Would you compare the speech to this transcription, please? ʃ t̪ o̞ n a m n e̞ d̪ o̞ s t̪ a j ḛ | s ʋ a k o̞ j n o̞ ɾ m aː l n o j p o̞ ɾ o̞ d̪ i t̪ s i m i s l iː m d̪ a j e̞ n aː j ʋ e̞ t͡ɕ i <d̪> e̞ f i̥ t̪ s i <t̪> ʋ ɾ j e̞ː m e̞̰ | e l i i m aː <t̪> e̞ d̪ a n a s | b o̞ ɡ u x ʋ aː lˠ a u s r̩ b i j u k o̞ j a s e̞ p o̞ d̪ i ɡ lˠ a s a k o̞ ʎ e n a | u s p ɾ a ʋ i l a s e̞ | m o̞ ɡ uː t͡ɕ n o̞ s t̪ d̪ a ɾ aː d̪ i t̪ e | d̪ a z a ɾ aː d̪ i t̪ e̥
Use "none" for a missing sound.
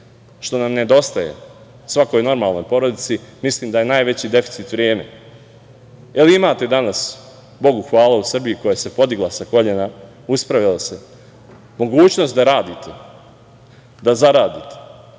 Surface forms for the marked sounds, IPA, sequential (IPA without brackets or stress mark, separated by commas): d̪, t̪, t̪